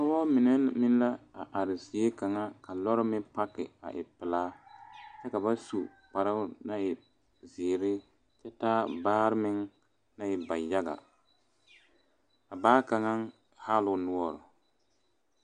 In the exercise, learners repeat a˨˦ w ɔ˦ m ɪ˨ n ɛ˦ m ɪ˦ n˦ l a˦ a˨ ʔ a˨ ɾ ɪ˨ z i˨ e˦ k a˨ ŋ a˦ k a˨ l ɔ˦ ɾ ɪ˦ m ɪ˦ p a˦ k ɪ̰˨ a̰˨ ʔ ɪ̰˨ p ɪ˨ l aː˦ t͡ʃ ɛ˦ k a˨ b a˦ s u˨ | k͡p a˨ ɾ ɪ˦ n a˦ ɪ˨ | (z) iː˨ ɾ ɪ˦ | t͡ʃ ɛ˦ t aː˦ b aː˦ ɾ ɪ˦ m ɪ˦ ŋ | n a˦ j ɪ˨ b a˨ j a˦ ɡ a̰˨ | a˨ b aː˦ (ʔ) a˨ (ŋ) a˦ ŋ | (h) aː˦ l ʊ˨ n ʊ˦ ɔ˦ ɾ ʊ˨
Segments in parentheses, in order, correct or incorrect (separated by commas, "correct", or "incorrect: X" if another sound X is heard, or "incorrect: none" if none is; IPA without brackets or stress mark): correct, incorrect: k, correct, correct